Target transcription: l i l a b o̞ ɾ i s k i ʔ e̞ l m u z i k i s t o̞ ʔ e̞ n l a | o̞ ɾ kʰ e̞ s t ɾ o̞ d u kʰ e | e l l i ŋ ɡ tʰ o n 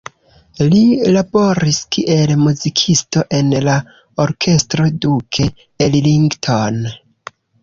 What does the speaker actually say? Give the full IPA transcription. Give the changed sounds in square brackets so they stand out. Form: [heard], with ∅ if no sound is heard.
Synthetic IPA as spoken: l i l a b o̞ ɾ i s k i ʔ e̞ l m u z i [kʰ] i s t o̞ ʔ e̞ n l a | o̞ ɾ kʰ e̞ s t ɾ o̞ d u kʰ e | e l l i ŋ ɡ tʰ o n